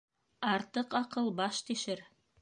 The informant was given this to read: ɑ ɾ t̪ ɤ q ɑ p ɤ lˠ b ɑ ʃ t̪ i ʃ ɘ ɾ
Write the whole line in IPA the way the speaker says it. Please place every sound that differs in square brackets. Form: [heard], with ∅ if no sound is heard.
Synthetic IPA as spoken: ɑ ɾ t̪ ɤ q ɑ [q] ɤ lˠ b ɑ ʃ t̪ i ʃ ɘ ɾ